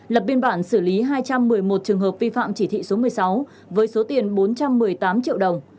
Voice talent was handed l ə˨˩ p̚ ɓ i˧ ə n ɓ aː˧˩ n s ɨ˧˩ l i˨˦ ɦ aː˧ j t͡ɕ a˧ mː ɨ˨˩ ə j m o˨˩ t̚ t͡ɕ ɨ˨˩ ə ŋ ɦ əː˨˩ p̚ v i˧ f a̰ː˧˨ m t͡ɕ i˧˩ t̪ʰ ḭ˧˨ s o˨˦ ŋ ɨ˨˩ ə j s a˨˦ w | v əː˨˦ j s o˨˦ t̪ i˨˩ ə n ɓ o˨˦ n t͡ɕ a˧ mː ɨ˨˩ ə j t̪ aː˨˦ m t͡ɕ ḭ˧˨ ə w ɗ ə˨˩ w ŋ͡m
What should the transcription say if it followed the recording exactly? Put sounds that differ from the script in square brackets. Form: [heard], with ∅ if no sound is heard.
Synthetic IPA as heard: l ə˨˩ p̚ ɓ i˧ ə n ɓ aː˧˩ n s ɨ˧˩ l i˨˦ ɦ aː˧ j t͡ɕ a˧ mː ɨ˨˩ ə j m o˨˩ t̚ t͡ɕ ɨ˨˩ ə ŋ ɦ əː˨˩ p̚ v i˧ f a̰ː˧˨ m t͡ɕ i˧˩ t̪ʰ ḭ˧˨ s o˨˦ [m] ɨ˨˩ ə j s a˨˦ w | v əː˨˦ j s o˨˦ t̪ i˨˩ ə n ɓ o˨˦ n t͡ɕ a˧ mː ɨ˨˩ ə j t̪ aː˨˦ m t͡ɕ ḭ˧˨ ə w ɗ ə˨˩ w ŋ͡m